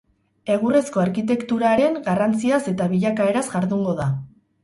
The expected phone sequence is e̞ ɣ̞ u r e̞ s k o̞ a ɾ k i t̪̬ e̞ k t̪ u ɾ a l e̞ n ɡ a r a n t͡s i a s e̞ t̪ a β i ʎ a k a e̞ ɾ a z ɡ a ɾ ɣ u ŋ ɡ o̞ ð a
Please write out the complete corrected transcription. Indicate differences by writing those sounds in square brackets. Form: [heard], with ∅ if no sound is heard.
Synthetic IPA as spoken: e̞ ɣ̞ u r e̞ s k o̞ a ɾ k i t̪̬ e̞ k t̪ u ɾ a [ɾ] e̞ [ŋ] ɡ a r a n t͡s i a s e̞ t̪ a β i ʎ a k a e̞ ɾ a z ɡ a ɾ [ð] u ŋ ɡ o̞ ð a